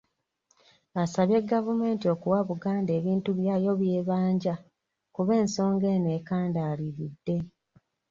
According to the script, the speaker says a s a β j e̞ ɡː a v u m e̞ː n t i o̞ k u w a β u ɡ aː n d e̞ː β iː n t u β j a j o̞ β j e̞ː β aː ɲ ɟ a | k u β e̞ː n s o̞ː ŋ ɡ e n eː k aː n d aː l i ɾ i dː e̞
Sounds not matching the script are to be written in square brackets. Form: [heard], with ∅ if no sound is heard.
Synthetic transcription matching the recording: a s a β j e̞ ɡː a v u m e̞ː n t i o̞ k u w a β u ɡ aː n d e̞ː β iː n t u β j a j o̞ β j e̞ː β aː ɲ ɟ a | k u β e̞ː n s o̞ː ŋ ɡ e n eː k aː n d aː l i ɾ i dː e̞